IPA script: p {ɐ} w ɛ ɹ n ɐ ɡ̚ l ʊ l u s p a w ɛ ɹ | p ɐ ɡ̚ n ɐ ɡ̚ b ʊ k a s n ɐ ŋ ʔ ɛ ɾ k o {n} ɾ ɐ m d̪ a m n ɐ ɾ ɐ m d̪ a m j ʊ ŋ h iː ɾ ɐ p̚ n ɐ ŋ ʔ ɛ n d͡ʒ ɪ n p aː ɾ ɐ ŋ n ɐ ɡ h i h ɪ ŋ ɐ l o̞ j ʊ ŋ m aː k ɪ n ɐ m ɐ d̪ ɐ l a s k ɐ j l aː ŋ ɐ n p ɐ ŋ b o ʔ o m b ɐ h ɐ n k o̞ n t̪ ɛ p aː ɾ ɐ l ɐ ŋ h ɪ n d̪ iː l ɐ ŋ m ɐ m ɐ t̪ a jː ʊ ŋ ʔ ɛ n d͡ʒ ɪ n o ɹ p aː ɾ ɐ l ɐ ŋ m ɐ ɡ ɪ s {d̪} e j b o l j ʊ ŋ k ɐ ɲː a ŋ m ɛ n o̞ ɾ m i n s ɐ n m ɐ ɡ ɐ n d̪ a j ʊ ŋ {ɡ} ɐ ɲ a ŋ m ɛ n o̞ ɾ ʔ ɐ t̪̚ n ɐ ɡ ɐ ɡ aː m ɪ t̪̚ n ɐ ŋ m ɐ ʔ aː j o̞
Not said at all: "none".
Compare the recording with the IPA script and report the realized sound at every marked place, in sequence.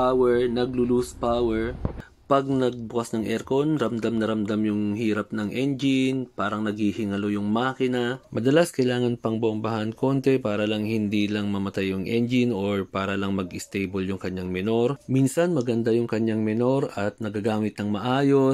a, n, t̪, k

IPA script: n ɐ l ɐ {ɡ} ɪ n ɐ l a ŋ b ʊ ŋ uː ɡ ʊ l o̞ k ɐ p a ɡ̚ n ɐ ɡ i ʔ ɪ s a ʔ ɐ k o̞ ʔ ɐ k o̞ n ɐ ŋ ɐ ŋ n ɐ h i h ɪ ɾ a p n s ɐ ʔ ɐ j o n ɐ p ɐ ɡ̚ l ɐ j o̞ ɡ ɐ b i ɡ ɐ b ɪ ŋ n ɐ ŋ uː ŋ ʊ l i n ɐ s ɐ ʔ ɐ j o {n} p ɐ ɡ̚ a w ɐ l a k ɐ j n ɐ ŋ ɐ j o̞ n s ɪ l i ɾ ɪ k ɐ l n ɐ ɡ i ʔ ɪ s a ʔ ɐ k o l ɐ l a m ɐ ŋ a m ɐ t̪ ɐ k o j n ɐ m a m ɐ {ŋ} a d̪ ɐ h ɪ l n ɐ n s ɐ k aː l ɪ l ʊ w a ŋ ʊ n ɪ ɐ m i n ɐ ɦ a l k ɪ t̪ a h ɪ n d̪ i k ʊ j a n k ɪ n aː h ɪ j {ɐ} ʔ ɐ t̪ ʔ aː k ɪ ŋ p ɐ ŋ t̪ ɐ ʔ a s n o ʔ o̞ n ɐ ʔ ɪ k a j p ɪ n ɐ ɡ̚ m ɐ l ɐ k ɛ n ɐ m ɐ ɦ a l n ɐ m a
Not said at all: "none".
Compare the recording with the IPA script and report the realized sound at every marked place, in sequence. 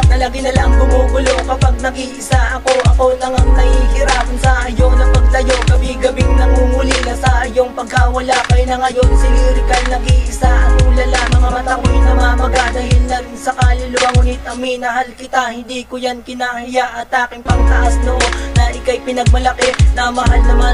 ɡ, ŋ, ɡ, a

